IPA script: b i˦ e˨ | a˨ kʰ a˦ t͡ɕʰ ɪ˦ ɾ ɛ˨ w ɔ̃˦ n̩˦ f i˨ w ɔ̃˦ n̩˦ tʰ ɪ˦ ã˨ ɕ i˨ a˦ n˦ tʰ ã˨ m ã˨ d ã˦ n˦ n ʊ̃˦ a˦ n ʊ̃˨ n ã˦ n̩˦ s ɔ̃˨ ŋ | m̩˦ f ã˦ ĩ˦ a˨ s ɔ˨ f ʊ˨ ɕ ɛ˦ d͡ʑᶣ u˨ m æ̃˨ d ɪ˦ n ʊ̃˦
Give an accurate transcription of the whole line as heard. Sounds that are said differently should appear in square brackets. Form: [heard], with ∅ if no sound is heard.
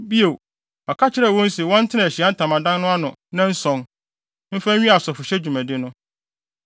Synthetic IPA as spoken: b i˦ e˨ | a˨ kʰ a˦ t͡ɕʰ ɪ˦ ɾ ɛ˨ w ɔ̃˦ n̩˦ [s] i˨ w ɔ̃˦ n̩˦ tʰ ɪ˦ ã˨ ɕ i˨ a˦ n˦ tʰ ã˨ m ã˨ d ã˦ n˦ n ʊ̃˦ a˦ n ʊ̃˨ n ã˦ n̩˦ s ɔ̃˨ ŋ | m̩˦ f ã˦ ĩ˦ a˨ s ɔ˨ f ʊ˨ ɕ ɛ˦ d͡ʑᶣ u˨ m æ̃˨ d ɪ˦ n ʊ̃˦